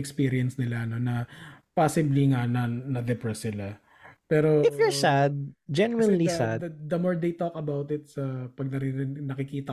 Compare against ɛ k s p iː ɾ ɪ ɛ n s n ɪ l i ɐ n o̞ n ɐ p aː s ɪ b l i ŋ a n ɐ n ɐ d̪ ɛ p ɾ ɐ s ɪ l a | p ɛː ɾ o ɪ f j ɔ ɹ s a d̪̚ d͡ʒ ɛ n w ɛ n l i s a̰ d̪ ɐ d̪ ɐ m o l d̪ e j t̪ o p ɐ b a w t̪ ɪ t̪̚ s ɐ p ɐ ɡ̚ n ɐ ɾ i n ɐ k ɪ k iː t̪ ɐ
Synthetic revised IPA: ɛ k s p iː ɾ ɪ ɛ n s n ɪ l a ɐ n o̞ n ɐ p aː s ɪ b l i ŋ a n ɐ n ɐ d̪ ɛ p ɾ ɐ s ɪ l a | p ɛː ɾ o ɪ f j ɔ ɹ s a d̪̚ d͡ʒ ɛ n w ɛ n l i s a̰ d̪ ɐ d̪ ɐ m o ɹ d̪ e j t̪ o k ɐ b a w t̪ ɪ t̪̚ s ɐ p ɐ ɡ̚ n ɐ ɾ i n ɐ k ɪ k iː t̪ ɐ